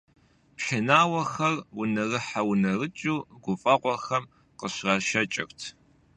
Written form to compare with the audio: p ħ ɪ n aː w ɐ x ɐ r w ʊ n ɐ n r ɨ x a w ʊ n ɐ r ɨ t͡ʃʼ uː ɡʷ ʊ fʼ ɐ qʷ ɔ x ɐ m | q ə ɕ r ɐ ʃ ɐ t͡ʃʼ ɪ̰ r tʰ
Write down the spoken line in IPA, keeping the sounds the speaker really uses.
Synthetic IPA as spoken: p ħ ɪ n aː w ɐ x ɐ r w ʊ n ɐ r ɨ ħ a w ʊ n ɐ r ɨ t͡ʃʼ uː ɡʷ ʊ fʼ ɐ qʷ ɔ x ɐ m | q ə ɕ r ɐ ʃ ɐ t͡ʃʼ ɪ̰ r tʰ